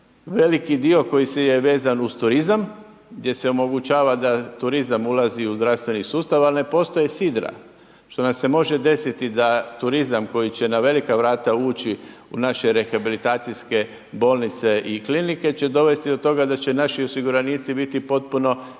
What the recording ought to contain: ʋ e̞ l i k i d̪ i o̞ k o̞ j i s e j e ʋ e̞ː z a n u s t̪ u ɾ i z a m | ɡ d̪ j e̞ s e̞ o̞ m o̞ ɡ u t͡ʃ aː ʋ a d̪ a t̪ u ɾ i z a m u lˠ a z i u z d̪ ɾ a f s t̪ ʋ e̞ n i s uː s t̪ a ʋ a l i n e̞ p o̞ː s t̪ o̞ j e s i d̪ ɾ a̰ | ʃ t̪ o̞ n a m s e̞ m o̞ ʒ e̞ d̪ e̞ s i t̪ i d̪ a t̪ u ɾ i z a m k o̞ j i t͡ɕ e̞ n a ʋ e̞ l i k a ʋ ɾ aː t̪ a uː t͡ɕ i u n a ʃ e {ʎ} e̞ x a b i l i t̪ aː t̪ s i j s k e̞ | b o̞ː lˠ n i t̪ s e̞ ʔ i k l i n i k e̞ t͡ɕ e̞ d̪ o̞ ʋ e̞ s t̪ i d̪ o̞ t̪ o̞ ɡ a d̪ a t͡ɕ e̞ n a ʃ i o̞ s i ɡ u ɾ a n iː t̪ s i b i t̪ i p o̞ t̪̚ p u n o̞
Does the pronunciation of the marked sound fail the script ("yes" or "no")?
yes